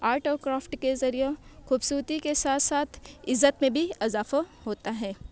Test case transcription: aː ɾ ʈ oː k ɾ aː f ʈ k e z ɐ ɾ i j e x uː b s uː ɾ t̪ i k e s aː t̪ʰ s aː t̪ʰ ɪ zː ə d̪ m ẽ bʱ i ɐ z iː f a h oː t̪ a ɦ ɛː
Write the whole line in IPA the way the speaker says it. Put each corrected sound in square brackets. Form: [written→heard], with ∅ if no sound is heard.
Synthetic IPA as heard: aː ɾ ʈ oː k ɾ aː f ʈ k e z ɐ ɾ i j e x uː b s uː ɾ t̪ i k e s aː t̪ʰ s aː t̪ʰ ɪ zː ə [d̪→t̪] m ẽ bʱ i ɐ z [iː→aː] f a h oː t̪ a ɦ ɛː